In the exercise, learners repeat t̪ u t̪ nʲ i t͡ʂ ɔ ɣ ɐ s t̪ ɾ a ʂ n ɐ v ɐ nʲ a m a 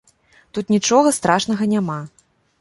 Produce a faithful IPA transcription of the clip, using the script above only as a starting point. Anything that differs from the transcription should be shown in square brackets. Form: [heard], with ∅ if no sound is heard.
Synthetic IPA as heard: t̪ u t̪ nʲ i t͡ʂ ɔ ɣ ɐ s t̪ ɾ a ʂ n ɐ [ɣ] ɐ nʲ a m a

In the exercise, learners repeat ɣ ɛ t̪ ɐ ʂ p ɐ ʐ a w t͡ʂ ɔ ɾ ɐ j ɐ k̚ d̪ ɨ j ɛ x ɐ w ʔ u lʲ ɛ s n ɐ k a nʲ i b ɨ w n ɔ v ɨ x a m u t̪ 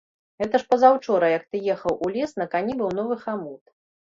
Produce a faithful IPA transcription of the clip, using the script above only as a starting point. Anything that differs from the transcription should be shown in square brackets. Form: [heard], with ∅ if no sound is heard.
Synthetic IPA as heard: ɣ ɛ t̪ ɐ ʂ p ɐ [z] a w t͡ʂ ɔ ɾ ɐ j ɐ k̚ [t̪] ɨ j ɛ x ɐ w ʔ u lʲ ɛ s n ɐ k a nʲ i b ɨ w n ɔ v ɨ x a m u t̪

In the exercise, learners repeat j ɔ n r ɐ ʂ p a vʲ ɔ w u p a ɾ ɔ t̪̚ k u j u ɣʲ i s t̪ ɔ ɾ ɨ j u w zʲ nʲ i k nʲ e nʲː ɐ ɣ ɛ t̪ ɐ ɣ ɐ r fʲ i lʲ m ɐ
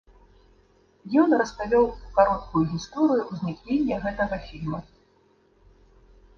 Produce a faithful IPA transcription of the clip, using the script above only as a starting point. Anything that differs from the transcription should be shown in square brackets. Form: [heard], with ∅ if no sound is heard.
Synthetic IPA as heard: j ɔ n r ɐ [s] p a vʲ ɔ w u [k] a ɾ ɔ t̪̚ k u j u ɣʲ i s t̪ ɔ ɾ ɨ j u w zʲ nʲ i k nʲ e nʲː ɐ ɣ ɛ t̪ ɐ ɣ ɐ [∅] fʲ i lʲ m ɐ

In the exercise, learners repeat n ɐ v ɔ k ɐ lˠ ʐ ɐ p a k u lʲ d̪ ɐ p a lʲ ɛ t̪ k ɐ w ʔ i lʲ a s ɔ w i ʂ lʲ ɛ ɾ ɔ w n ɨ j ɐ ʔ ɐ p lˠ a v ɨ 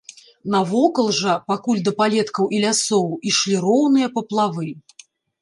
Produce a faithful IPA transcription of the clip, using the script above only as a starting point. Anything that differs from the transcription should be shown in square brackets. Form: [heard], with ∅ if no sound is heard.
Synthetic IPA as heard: n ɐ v ɔ k ɐ lˠ ʐ ɐ p a k u lʲ d̪ ɐ p a lʲ ɛ t̪ k ɐ w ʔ i lʲ a s ɔ w i ʂ lʲ [i] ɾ ɔ w n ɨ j ɐ [p] ɐ p lˠ a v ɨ

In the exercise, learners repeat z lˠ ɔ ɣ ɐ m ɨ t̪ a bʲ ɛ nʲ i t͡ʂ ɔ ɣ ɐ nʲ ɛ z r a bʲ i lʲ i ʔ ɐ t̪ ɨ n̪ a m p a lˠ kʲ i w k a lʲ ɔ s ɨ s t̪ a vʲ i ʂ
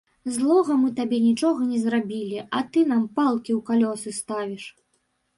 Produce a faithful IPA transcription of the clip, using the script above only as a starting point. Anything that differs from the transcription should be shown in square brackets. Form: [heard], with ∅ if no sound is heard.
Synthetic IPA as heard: z lˠ ɔ ɣ ɐ m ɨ t̪ a bʲ ɛ nʲ i t͡ʂ ɔ ɣ ɐ nʲ ɛ z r a bʲ i lʲ i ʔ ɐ t̪ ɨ n̪ a m p a lˠ kʲ i w k a lʲ ɔ s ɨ s t̪ a vʲ i ʂ

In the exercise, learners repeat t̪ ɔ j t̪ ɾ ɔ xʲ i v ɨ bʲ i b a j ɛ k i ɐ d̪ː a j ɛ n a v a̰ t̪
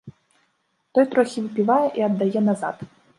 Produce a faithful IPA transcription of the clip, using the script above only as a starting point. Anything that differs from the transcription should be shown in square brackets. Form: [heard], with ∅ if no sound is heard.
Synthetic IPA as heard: t̪ ɔ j t̪ ɾ ɔ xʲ i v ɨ [pʲ] i [v] a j ɛ [ʔ] i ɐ d̪ː a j ɛ n a [z] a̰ t̪

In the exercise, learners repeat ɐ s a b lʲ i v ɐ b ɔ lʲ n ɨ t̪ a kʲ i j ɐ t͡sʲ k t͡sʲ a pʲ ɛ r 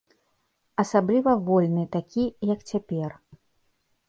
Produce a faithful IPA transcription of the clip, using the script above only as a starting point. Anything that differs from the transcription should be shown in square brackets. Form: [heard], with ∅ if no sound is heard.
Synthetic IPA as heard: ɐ s a b lʲ i v ɐ [v] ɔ lʲ n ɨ t̪ a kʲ i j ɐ [∅] k t͡sʲ a pʲ ɛ r

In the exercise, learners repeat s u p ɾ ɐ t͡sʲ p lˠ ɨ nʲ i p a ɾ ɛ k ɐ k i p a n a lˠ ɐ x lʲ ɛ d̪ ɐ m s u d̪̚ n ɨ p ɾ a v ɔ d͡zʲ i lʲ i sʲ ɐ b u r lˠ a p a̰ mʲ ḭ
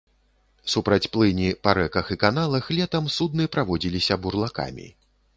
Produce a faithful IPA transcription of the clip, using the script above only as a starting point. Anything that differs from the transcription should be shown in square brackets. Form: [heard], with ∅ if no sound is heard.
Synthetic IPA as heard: s u p ɾ ɐ t͡sʲ p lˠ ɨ nʲ i p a ɾ ɛ k ɐ [x] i [k] a n a lˠ ɐ x lʲ ɛ [t̪] ɐ m s u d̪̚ n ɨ p ɾ a v ɔ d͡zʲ i lʲ i sʲ ɐ b u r lˠ a [k] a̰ mʲ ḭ

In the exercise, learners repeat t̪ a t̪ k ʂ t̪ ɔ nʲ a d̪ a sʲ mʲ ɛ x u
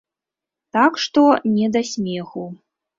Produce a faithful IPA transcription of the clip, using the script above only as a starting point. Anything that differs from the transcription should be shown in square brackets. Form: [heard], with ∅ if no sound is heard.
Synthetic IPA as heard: t̪ a [∅] k ʂ t̪ ɔ nʲ [ɛ] d̪ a sʲ mʲ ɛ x u

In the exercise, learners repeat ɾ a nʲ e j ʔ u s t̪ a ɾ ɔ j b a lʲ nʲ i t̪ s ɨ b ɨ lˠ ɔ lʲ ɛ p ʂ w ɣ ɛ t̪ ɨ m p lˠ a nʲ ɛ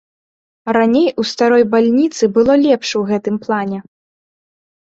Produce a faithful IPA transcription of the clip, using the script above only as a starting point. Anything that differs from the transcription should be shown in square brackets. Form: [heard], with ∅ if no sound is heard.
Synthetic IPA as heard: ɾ a nʲ e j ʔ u s t̪ a ɾ ɔ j b a lʲ nʲ i t̪ s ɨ b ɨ lˠ ɔ lʲ ɛ p ʂ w ɣ ɛ t̪ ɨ m p lˠ a nʲ ɛ

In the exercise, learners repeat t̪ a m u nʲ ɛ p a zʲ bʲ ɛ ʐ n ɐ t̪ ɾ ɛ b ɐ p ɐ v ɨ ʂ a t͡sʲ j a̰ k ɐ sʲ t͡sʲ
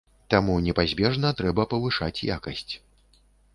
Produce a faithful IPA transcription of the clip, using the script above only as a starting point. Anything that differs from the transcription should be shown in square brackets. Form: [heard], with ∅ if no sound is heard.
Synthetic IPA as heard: t̪ a m u nʲ ɛ p a zʲ bʲ ɛ ʐ n ɐ t̪ ɾ ɛ b ɐ p ɐ v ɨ ʂ a t͡sʲ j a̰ k ɐ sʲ t͡sʲ

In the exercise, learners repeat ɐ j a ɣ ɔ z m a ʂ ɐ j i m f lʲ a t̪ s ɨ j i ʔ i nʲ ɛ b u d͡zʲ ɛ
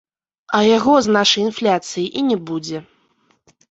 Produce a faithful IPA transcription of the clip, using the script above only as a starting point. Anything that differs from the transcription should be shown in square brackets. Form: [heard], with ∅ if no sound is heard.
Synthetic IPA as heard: ɐ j a ɣ ɔ z [n] a ʂ ɐ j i [n] f lʲ a t̪ s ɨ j i ʔ i nʲ ɛ b u d͡zʲ ɛ

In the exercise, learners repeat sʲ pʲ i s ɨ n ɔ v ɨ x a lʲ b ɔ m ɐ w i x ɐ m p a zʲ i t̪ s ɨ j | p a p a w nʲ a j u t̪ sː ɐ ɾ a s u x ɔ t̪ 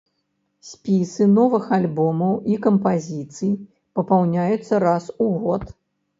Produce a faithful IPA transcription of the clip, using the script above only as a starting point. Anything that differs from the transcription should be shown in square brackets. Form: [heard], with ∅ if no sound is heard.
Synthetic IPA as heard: sʲ pʲ i s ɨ n ɔ v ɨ x a lʲ b ɔ m ɐ w i [k] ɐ m p a zʲ i t̪ s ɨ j | p [ɐ] p a w nʲ a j u t̪ sː ɐ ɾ a s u [ɣ] ɔ t̪

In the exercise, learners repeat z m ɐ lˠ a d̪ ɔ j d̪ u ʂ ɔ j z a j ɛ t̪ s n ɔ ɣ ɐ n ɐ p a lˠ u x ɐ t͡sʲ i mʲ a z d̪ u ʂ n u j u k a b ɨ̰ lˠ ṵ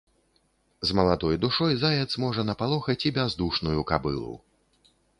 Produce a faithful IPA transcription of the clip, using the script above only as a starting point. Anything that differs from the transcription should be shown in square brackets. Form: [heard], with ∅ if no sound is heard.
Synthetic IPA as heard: z m ɐ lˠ a d̪ ɔ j d̪ u ʂ ɔ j z a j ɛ t̪ s [m] ɔ [ʐ] ɐ n ɐ p a lˠ [ɔ] x ɐ t͡sʲ i [bʲ] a z d̪ u ʂ n u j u k a b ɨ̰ lˠ ṵ

